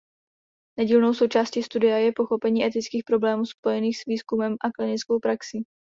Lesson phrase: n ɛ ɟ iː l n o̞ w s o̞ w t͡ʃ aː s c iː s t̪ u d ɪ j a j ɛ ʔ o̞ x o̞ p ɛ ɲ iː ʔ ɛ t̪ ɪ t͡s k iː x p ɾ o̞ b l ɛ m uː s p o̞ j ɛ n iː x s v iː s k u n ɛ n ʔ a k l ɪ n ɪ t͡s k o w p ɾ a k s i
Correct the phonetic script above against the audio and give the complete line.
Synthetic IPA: n ɛ ɟ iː l n o̞ w s o̞ w t͡ʃ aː s c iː s t̪ u d ɪ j a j ɛ p o̞ x o̞ p ɛ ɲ iː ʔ ɛ t̪ ɪ t͡s k iː x p ɾ o̞ b l ɛː m uː s p o̞ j ɛ n iː x s v iː s k u m ɛ m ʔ a k l ɪ n ɪ t͡s k o w p ɾ a k s i